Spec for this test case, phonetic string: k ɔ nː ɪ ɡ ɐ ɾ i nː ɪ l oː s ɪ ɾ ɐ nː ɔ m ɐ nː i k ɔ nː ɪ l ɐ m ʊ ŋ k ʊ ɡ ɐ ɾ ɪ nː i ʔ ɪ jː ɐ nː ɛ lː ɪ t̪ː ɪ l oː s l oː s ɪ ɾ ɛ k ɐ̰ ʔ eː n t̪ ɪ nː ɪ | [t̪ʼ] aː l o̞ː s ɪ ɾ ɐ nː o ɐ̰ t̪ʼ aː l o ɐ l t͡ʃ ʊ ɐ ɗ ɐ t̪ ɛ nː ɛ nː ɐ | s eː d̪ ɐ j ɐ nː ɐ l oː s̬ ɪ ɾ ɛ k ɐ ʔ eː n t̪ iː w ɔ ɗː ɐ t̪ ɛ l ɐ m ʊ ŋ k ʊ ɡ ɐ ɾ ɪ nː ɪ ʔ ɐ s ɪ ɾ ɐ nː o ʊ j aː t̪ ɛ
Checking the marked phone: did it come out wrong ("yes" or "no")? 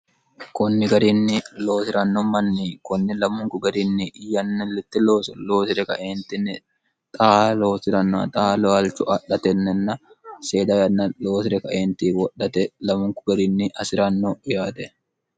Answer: no